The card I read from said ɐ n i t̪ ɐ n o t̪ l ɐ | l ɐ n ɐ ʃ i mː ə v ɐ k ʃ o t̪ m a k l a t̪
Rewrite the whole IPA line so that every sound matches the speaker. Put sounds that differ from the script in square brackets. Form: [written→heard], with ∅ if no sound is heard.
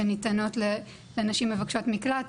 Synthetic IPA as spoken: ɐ n i t̪ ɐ n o t̪ l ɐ | l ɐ n ɐ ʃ i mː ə v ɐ k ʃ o t̪ m [a→i] k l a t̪